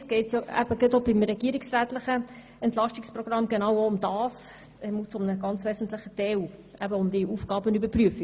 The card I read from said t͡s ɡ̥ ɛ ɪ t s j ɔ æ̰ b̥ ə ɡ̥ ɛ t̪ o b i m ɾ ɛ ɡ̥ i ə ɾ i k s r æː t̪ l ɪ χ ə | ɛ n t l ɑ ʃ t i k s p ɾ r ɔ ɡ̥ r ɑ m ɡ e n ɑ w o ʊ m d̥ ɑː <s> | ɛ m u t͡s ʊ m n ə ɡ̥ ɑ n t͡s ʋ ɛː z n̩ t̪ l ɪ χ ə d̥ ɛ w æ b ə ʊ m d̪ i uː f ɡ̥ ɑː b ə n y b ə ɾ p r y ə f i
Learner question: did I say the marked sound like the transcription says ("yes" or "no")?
yes